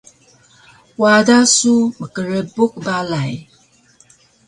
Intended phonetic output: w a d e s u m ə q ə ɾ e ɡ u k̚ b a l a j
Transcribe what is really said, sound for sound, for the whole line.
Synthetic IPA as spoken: w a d a s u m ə k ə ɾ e b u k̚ b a l a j